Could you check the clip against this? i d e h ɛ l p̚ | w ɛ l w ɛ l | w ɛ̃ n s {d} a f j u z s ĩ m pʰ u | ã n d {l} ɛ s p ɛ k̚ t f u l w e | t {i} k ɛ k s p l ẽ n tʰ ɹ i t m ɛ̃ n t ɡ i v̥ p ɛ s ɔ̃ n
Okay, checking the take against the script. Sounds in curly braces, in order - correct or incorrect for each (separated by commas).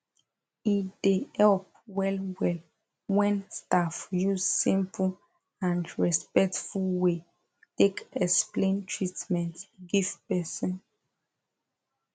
incorrect, incorrect, incorrect